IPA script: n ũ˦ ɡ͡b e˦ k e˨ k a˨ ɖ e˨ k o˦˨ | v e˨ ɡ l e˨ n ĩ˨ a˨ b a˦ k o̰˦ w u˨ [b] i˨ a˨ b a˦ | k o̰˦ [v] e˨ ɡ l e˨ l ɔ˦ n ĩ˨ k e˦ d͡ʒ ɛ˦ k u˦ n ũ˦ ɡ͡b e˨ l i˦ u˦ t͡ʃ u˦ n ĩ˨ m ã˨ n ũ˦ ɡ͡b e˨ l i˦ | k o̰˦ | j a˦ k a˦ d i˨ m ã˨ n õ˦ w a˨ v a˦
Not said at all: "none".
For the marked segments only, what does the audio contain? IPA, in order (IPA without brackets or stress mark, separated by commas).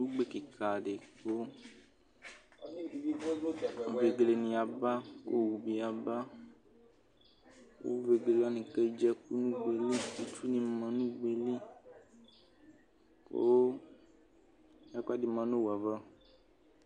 b, v